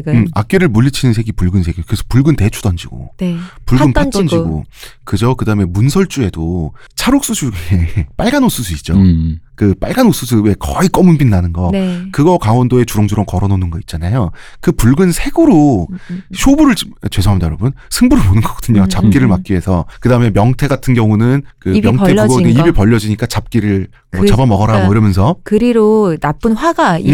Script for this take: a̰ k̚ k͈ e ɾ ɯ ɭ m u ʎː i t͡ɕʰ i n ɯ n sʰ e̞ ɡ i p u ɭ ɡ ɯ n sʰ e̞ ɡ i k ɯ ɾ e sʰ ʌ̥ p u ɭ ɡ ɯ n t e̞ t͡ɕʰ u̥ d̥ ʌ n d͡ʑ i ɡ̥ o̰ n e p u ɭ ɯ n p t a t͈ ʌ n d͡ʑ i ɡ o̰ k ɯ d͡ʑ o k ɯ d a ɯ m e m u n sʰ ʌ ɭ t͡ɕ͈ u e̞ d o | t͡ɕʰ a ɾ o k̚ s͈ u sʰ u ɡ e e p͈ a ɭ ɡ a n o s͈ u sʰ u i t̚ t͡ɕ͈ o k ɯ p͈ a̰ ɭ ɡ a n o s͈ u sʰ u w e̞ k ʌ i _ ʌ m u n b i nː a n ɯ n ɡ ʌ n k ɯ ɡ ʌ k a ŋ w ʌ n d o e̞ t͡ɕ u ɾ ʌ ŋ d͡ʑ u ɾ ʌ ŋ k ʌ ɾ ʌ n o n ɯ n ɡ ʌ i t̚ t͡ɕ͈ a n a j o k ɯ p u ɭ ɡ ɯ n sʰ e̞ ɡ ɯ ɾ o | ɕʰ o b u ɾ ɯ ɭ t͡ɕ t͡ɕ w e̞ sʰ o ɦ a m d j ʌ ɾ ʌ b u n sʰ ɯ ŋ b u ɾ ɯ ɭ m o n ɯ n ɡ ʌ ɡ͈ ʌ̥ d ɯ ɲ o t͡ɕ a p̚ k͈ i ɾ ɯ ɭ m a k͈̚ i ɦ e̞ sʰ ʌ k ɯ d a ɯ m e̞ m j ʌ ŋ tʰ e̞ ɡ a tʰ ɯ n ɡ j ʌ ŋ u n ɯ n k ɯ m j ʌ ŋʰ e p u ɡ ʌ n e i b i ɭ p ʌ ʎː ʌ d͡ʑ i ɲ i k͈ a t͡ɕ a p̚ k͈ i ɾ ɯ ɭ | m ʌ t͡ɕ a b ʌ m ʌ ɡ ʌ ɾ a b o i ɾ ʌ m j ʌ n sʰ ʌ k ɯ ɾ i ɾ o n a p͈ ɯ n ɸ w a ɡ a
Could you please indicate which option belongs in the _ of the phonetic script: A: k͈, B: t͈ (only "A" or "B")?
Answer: A